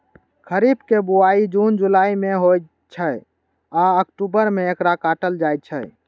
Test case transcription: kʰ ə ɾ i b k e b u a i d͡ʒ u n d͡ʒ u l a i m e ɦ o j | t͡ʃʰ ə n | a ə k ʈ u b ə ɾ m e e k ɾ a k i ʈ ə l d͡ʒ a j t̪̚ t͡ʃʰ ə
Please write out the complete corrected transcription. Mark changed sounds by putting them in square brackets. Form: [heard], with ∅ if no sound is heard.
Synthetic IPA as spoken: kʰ ə ɾ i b k e b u a i d͡ʒ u n d͡ʒ u l a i m e ɦ o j | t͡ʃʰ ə [∅] | a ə k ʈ u b ə ɾ m e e k ɾ a k [a] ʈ ə l d͡ʒ a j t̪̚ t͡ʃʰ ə